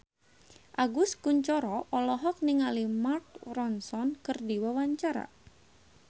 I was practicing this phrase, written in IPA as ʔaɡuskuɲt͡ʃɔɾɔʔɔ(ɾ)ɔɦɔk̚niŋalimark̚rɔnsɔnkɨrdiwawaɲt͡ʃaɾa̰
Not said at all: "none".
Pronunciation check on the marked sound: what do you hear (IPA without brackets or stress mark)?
l